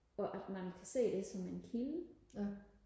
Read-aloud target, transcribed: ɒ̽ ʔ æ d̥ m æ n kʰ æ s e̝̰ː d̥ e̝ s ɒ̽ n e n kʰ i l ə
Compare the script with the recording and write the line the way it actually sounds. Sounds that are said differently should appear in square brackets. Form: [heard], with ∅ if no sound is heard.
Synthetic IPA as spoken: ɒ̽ ʔ æ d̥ m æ n kʰ æ s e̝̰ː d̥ e̝ s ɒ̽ [m] e n kʰ i l ə